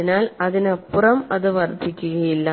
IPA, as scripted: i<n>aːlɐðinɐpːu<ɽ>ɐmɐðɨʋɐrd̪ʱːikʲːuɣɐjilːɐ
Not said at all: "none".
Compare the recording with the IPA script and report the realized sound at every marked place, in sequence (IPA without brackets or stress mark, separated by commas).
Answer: n, r